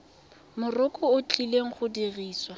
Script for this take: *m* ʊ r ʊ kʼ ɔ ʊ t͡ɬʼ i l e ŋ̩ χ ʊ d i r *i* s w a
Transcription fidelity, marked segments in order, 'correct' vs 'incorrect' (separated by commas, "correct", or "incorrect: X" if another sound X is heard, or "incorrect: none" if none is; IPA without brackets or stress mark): correct, incorrect: iː